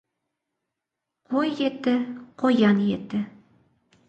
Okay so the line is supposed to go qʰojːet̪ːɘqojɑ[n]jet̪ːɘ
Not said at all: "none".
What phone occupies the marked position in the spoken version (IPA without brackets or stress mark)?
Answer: n